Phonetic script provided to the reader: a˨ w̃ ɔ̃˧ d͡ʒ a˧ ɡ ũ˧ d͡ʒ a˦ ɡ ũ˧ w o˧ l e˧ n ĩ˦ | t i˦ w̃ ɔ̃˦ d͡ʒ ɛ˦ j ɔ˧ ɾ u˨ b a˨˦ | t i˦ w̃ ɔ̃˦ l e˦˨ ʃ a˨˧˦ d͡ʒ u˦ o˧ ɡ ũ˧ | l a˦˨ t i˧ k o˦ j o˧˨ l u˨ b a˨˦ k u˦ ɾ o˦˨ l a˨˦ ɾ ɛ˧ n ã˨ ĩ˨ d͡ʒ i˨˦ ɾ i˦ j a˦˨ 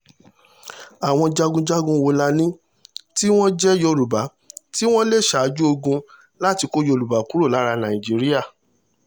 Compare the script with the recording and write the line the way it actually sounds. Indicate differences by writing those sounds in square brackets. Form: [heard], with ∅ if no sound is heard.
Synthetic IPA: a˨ w̃ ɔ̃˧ d͡ʒ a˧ ɡ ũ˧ d͡ʒ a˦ ɡ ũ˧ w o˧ l [a˧] n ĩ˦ | t i˦ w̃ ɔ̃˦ d͡ʒ ɛ˦ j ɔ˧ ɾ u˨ b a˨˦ | t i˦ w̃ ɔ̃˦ l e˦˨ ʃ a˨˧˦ d͡ʒ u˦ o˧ ɡ ũ˧ | l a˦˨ t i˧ k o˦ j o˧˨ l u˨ b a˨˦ k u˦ ɾ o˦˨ l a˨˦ ɾ [a˧] n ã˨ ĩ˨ d͡ʒ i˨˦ ɾ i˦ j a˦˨